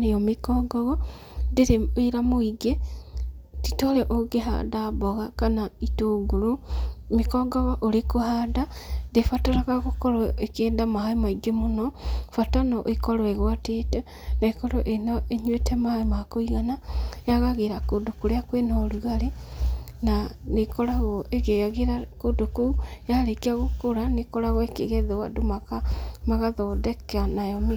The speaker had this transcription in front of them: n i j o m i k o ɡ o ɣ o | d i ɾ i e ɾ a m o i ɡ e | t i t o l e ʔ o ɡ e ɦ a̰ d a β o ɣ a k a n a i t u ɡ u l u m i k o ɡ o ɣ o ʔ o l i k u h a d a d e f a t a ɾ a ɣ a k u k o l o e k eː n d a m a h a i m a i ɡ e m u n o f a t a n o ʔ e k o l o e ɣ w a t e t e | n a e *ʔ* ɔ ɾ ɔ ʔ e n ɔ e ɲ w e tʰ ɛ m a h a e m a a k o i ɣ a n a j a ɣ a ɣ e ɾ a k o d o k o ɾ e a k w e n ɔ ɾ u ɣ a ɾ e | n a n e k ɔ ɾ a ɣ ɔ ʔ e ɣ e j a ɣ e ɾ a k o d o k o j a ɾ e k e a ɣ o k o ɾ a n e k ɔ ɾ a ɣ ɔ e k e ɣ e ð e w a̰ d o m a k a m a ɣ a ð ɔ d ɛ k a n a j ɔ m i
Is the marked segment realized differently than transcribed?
yes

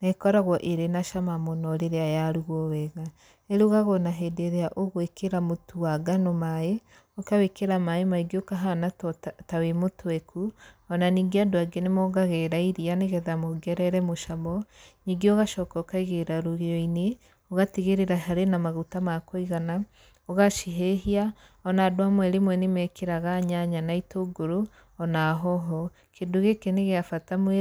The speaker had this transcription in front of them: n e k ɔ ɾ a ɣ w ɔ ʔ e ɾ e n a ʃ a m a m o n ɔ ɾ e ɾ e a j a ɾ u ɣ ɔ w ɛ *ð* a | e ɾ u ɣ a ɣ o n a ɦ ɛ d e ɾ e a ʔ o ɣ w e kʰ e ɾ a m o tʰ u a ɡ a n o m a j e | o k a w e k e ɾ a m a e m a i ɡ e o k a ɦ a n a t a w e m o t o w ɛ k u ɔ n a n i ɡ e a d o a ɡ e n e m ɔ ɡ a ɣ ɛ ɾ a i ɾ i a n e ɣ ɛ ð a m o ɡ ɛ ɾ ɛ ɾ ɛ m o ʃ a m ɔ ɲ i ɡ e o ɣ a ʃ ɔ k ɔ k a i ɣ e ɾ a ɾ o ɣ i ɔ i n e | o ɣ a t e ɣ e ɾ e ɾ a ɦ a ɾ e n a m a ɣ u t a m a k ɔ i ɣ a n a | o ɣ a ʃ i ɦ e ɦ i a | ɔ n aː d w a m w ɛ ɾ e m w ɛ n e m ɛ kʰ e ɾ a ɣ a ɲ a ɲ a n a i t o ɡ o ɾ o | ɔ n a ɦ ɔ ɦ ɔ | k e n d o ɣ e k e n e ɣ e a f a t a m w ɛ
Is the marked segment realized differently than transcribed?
yes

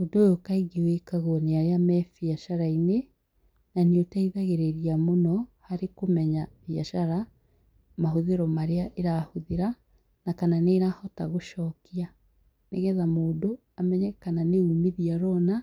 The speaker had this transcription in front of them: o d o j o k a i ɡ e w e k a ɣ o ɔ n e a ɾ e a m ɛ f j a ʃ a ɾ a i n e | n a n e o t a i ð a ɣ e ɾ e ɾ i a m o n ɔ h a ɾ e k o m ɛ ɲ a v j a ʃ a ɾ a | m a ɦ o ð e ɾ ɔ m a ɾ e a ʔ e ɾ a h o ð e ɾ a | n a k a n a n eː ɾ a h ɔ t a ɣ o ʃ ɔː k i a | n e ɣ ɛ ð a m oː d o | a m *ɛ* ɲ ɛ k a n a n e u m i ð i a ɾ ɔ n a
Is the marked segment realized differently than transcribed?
no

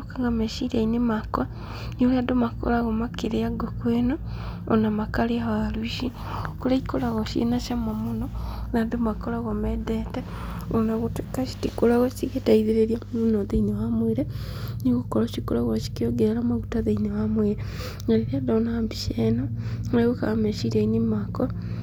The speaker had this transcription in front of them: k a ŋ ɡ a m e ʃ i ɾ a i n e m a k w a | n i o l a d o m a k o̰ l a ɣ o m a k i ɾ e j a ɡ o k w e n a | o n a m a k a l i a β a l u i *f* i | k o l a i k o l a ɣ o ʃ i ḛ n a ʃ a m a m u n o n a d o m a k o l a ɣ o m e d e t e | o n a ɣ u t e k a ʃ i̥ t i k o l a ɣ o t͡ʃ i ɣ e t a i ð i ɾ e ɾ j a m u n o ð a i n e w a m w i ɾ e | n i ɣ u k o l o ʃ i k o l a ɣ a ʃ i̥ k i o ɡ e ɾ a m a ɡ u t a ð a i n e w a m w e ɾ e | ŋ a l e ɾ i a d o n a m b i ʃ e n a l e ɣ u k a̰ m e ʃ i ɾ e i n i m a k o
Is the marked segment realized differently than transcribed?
yes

